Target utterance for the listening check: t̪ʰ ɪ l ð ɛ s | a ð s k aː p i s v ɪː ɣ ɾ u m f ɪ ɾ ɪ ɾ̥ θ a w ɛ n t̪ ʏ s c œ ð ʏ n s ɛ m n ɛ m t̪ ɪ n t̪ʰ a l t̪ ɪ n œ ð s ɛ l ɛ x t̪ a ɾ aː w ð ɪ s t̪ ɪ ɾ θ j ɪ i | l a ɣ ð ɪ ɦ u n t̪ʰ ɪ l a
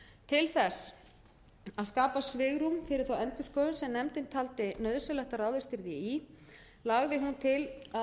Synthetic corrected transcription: t̪ʰ ɪ l θ ɛ s | a ð s k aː p a s v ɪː ɣ ɾ u m f ɪ ɾ ɪ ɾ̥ θ a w ɛ n t̪ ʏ s k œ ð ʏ n s ɛ m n ɛ m t̪ ɪ n t̪ʰ a l t̪ ɪ n œ ð s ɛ l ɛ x t̪ a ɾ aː w ð ɪ s t̪ ɪ ɾ ð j ɪ i | l a ɣ ð ɪ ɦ u n t̪ʰ ɪ l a